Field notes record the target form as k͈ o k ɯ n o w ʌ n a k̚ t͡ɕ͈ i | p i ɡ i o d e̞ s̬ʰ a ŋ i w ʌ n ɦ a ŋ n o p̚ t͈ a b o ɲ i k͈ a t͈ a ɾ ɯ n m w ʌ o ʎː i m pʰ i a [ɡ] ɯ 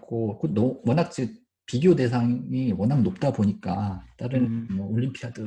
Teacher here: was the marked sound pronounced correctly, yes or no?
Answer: no